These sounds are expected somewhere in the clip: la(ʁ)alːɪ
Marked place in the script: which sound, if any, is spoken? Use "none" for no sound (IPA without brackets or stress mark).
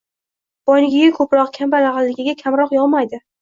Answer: ʁ